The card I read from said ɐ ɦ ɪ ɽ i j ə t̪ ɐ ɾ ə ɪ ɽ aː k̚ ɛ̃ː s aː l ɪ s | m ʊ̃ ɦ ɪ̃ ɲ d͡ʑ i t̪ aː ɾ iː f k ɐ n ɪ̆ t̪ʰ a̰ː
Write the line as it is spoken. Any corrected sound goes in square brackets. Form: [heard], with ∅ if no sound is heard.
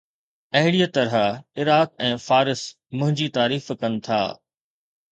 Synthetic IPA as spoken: ɐ ɦ ɪ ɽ i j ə t̪ ɐ ɾ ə ɪ [ɾ] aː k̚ ɛ̃ː [f] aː [ɾ] ɪ s | m ʊ̃ ɦ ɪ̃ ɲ d͡ʑ i t̪ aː ɾ iː f k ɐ n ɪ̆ t̪ʰ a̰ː